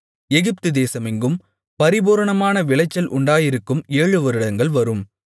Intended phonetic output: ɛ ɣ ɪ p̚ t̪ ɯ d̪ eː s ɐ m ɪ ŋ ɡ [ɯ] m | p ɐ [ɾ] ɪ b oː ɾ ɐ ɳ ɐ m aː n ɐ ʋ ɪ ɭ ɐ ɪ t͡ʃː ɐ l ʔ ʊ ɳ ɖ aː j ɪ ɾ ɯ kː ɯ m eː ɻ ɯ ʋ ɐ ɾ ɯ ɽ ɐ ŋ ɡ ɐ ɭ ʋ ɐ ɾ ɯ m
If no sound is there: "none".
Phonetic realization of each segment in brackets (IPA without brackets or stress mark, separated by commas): ɯ, ɾ